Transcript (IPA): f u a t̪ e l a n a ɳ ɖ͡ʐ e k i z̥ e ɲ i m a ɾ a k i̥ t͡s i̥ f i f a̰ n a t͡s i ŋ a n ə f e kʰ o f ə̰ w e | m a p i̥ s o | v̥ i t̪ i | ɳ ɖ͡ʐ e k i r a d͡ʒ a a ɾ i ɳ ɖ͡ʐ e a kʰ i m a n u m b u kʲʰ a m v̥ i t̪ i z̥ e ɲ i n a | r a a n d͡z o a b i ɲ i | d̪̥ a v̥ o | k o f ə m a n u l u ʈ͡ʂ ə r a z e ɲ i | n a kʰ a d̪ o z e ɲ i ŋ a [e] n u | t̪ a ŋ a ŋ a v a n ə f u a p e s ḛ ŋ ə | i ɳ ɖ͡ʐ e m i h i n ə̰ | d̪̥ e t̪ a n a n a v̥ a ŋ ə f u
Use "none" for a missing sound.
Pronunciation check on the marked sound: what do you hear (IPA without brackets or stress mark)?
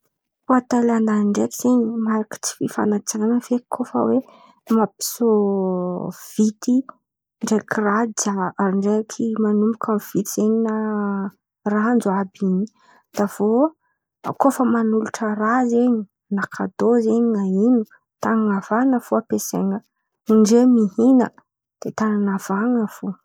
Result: i